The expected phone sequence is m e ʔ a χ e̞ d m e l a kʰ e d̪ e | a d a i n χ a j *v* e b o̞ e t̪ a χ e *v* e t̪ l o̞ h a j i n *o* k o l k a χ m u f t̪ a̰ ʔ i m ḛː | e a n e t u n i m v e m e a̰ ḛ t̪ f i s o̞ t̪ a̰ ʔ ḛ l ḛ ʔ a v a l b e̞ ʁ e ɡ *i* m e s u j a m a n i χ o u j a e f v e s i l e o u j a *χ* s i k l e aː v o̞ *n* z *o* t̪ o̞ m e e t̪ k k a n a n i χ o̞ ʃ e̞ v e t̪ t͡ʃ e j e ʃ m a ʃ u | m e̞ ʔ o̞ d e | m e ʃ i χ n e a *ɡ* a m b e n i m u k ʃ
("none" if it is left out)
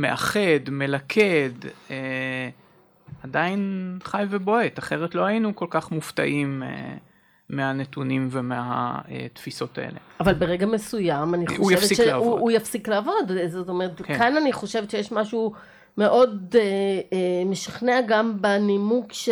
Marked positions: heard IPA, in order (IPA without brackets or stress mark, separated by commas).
v, ʁ, u, a, f, d, o, ɡ